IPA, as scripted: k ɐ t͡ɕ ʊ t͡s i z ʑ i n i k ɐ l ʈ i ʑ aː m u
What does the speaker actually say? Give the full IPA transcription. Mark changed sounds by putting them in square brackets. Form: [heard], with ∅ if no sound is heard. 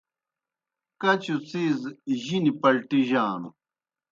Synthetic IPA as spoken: k ɐ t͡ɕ [u] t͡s i z ʑ i n i [p] ɐ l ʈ i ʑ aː [n] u